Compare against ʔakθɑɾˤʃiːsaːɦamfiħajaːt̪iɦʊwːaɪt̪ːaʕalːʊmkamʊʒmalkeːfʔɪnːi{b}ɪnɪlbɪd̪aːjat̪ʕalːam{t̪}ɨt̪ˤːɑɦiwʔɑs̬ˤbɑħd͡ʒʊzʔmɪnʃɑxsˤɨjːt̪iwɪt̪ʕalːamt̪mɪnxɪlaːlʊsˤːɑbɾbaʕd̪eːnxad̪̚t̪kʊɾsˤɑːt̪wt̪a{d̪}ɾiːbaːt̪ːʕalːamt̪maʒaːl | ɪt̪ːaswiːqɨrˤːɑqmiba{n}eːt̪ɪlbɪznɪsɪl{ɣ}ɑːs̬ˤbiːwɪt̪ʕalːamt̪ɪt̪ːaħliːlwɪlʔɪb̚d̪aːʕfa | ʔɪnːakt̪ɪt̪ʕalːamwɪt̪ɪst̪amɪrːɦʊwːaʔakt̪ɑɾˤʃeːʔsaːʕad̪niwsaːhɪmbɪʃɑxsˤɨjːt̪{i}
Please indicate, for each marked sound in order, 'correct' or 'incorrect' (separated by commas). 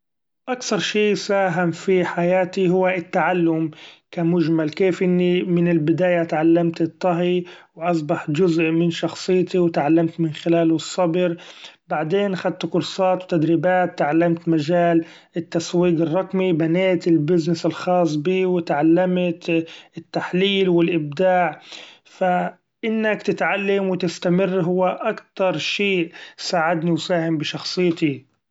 incorrect, correct, correct, correct, incorrect, correct